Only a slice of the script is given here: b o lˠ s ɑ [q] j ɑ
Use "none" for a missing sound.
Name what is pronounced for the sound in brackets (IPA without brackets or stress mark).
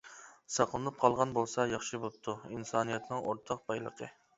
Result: none